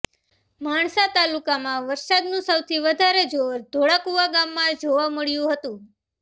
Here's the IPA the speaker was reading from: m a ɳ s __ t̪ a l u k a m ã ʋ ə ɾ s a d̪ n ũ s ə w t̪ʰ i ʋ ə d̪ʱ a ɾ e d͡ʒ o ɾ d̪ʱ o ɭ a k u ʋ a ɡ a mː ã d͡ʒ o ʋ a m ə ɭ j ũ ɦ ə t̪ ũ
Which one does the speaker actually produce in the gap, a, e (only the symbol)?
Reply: a